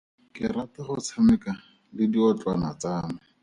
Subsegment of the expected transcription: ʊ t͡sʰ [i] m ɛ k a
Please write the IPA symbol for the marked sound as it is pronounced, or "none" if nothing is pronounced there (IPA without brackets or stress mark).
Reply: a